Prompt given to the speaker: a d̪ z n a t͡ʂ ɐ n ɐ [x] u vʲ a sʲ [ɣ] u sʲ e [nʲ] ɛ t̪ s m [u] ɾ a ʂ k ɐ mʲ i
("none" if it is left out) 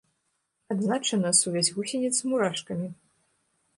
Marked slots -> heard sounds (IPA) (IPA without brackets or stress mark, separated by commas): s, ɣ, nʲ, u